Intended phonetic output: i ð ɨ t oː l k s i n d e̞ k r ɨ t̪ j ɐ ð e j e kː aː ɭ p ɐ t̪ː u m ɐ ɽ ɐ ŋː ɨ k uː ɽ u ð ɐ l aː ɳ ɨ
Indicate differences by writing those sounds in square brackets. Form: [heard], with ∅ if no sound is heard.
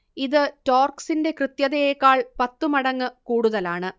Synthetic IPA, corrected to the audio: i ð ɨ t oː [r] k s i n d e̞ k r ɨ t̪ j ɐ ð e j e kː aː ɭ p ɐ t̪ː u m ɐ ɽ ɐ ŋː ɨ k uː ɽ u ð ɐ l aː ɳ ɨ